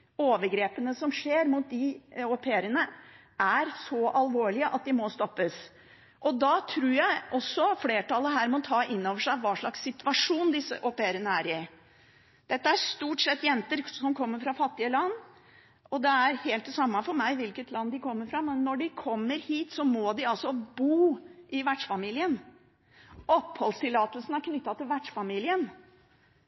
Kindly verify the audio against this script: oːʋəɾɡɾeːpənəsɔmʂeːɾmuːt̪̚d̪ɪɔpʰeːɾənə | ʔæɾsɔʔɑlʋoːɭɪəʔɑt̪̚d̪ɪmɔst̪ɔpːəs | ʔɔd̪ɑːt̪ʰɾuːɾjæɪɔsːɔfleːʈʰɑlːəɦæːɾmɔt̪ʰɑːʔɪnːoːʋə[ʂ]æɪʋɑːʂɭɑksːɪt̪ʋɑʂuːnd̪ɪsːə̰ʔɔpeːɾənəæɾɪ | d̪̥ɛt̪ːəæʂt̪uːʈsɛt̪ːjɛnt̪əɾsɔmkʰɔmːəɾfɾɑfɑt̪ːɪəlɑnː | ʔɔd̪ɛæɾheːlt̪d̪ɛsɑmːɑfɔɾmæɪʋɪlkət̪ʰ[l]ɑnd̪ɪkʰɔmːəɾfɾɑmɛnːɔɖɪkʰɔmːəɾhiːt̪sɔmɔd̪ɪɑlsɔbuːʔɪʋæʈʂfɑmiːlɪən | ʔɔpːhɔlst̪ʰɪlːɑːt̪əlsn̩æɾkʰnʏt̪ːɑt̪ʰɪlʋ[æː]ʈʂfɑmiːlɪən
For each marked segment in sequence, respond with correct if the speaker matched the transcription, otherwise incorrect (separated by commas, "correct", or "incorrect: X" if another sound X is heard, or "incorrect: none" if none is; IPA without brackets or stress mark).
correct, correct, incorrect: æ